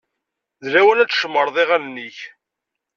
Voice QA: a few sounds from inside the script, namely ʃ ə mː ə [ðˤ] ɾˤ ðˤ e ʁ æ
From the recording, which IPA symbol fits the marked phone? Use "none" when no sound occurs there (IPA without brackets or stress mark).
none